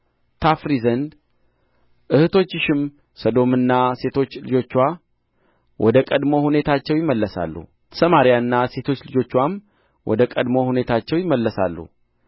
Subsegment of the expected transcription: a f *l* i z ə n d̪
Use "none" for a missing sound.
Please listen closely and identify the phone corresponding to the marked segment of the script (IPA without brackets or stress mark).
ɾ